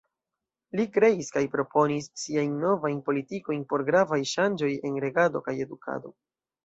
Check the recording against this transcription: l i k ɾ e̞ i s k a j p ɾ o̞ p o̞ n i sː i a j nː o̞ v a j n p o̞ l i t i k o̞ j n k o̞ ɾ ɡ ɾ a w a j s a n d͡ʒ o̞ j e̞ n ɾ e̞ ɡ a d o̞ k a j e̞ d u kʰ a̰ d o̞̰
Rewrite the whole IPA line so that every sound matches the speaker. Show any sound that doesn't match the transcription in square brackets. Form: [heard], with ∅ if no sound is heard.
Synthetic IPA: l i k ɾ e̞ i s k a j p ɾ o̞ p o̞ n i sː i a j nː o̞ v a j n p o̞ l i t i k o̞ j n [p] o̞ ɾ ɡ ɾ a [v] a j [ʃ] a n d͡ʒ o̞ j e̞ n ɾ e̞ ɡ a d o̞ k a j e̞ d u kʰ a̰ d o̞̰